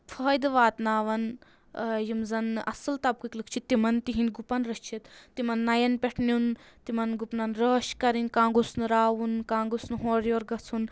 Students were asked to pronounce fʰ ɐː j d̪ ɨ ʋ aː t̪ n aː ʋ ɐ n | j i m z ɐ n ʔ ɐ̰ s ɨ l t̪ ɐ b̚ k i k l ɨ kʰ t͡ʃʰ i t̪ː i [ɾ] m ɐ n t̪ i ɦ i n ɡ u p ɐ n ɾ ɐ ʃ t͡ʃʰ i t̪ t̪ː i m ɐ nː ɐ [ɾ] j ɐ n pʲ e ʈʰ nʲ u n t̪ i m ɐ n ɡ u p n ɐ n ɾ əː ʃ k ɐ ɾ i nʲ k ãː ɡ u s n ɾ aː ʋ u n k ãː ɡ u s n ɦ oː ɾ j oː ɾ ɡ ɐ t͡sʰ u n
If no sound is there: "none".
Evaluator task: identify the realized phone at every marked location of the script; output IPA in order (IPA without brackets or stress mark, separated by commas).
none, none